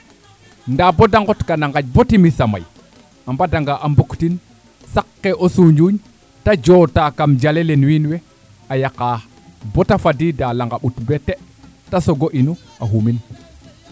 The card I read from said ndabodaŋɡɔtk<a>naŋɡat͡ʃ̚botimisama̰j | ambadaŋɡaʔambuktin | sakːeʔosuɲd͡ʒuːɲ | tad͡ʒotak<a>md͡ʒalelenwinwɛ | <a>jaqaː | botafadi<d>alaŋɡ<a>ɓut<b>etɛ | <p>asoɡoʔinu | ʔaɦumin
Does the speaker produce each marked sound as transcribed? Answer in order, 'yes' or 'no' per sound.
yes, yes, yes, yes, yes, yes, no

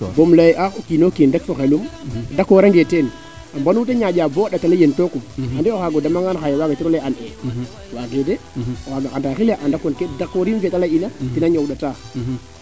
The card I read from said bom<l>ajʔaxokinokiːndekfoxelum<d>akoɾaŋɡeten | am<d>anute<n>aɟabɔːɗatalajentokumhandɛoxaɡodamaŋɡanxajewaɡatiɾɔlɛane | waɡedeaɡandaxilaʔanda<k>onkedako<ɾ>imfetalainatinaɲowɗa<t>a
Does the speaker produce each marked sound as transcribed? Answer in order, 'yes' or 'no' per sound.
yes, yes, no, no, yes, yes, yes

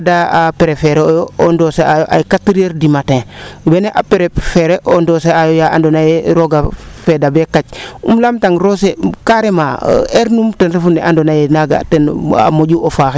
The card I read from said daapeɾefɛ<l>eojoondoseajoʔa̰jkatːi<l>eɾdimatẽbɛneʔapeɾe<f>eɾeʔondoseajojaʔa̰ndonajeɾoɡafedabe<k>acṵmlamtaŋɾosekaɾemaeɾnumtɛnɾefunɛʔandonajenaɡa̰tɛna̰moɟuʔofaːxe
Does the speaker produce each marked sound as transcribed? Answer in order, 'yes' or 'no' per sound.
no, no, yes, yes

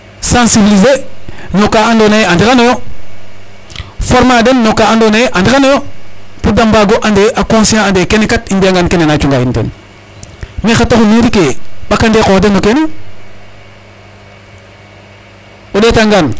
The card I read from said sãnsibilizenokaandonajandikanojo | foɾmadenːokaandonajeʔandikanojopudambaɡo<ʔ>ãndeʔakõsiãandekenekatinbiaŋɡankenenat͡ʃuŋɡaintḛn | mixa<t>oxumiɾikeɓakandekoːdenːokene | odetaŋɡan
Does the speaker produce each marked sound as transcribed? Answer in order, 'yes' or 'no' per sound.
yes, yes

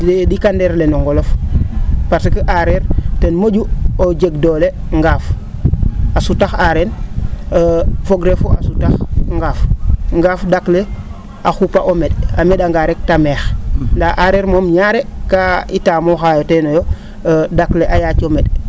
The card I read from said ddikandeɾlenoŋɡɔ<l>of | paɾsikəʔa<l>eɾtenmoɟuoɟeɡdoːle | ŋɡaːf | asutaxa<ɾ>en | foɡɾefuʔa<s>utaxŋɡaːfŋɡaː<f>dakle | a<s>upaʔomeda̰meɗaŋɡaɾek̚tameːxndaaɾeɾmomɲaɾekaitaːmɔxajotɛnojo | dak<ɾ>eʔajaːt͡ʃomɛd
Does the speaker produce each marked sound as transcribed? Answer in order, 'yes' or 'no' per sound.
yes, no, yes, yes, yes, no, no

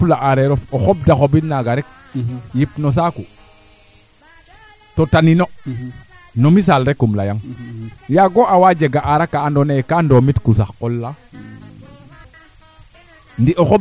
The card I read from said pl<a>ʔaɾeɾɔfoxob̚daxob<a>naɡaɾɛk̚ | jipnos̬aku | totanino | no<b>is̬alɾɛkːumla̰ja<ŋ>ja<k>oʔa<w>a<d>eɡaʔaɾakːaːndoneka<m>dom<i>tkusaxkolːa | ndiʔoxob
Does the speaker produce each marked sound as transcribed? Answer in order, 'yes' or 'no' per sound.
yes, no, no, yes, no, yes, no, no, yes

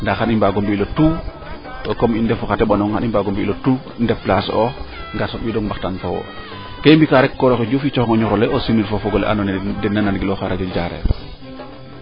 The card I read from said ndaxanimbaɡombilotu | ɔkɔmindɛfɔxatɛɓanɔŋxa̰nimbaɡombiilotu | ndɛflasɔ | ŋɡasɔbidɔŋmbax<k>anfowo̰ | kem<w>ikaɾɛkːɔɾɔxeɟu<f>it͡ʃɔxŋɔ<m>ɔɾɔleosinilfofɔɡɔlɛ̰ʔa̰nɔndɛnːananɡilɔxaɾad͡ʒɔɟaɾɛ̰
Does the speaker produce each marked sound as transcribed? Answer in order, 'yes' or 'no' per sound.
no, no, yes, no

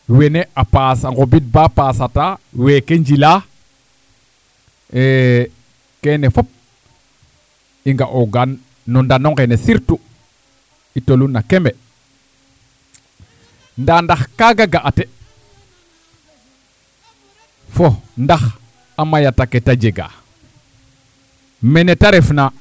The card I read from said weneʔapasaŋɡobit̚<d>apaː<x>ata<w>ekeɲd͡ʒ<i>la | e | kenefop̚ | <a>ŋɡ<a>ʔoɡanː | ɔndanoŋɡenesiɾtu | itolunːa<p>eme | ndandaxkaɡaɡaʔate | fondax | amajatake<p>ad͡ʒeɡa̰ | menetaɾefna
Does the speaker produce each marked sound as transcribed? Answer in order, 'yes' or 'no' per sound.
no, no, yes, yes, no, yes, no, no

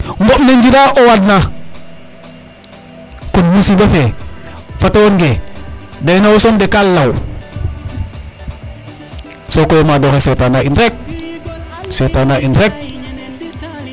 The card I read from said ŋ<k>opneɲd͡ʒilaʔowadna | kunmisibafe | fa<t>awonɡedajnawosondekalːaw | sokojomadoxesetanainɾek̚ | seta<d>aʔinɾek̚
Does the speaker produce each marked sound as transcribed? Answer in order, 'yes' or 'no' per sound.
no, yes, no

